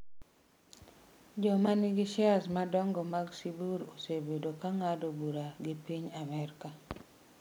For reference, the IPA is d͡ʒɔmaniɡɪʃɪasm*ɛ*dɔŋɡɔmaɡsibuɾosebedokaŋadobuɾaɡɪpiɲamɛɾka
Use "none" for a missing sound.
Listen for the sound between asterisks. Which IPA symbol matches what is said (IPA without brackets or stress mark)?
a